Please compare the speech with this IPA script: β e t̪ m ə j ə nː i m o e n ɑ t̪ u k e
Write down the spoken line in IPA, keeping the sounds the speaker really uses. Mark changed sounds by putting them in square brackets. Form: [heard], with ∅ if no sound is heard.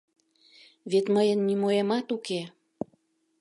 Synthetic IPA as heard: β e t̪ m ə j ə nː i m o e [m] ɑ t̪ u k e